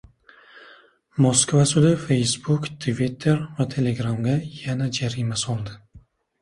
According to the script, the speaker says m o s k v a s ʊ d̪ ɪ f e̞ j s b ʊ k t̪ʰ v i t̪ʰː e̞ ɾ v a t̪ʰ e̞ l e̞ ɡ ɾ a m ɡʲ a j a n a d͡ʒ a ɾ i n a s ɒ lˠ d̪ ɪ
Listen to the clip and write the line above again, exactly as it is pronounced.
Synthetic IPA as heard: m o s k v a s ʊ d̪ ɪ f e̞ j s b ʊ k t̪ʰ v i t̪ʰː e̞ ɾ v a t̪ʰ e̞ l e̞ ɡ ɾ a m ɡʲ a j a n a d͡ʒ a ɾ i m a s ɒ lˠ d̪ ɪ